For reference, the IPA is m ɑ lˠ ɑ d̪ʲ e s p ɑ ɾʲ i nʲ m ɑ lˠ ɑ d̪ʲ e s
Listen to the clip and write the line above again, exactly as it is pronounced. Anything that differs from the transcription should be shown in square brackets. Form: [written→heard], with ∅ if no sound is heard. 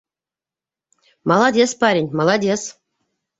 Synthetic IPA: m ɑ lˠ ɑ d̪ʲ e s p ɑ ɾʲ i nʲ m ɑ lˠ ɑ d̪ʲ e s